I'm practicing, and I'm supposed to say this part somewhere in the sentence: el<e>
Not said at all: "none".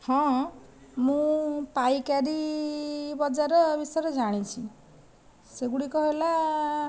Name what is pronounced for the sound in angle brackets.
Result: a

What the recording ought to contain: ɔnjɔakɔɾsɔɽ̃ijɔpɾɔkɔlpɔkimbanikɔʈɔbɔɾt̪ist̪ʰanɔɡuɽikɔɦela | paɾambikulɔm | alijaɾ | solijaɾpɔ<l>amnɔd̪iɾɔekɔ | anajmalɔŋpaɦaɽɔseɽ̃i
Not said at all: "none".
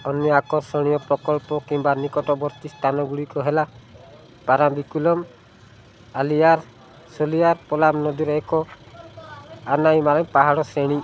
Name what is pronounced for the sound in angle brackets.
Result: l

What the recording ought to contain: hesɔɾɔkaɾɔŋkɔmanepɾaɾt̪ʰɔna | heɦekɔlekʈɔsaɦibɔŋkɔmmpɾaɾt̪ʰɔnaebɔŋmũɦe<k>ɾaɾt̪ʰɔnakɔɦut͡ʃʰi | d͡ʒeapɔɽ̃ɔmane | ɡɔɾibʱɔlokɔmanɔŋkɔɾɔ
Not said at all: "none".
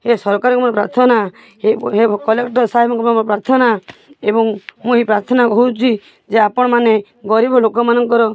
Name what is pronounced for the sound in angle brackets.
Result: p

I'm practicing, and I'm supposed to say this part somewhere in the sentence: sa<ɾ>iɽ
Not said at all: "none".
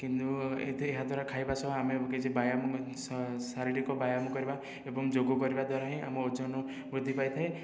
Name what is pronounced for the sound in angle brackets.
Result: ɾ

